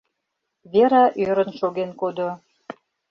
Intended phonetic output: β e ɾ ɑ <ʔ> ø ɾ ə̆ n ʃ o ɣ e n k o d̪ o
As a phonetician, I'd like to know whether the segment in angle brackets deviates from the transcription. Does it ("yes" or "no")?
no